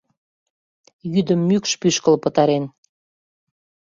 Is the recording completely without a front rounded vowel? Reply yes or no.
no